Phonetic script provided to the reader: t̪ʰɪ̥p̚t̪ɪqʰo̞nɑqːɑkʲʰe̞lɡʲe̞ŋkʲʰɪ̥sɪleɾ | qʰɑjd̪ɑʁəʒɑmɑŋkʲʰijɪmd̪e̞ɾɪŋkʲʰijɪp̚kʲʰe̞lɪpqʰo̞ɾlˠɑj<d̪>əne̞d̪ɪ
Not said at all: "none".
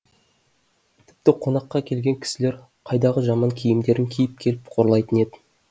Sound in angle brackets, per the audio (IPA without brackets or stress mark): t̪